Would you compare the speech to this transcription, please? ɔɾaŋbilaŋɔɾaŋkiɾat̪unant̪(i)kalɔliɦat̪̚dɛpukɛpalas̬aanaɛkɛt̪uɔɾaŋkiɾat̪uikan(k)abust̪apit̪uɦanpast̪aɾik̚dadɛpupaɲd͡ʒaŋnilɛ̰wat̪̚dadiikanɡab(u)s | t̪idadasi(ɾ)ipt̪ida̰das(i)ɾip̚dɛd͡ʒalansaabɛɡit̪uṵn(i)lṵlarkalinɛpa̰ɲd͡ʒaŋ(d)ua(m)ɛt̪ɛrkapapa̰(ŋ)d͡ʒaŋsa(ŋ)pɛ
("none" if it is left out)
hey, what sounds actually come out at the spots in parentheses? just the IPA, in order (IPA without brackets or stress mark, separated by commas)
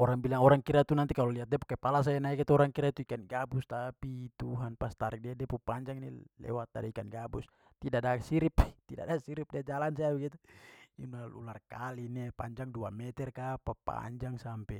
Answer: i, ɡ, u, ɾ, i, a, d, m, ɲ, m